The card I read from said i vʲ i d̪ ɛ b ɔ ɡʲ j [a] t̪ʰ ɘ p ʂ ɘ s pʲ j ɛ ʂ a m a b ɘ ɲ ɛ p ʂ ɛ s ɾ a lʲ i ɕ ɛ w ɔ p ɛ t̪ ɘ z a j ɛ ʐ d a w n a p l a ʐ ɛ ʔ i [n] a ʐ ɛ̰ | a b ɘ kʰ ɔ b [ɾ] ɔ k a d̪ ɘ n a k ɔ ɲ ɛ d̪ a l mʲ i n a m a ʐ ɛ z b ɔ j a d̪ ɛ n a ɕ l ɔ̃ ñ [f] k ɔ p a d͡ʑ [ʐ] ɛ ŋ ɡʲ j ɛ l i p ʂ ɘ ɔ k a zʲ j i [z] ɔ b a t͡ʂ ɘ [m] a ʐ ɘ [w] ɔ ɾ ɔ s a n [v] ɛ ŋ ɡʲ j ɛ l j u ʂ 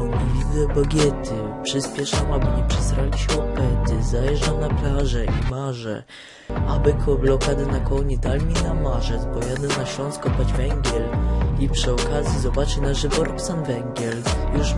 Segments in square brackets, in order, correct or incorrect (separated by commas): incorrect, incorrect, incorrect, incorrect, incorrect, correct, incorrect, incorrect, correct